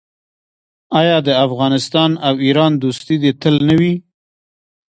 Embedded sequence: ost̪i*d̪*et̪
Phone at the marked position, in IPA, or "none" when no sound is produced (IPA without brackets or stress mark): d̪